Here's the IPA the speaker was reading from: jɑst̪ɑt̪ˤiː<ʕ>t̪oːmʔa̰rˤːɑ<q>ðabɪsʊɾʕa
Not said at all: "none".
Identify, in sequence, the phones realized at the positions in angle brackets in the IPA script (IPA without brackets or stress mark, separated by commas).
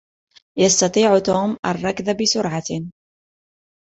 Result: ʕ, k